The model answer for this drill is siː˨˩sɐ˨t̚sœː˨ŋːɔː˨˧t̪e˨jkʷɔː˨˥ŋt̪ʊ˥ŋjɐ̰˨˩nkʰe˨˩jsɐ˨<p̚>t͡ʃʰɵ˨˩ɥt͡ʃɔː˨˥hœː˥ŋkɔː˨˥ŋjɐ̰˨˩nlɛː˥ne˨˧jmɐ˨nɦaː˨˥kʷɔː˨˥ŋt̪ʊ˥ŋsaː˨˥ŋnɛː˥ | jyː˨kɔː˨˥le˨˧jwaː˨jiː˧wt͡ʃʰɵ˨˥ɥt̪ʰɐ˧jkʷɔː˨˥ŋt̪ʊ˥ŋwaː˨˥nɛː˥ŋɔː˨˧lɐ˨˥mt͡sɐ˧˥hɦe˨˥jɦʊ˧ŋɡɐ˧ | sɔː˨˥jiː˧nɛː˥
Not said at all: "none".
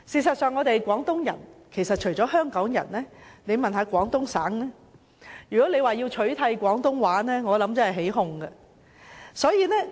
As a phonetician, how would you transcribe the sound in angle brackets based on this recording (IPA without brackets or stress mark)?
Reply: t̚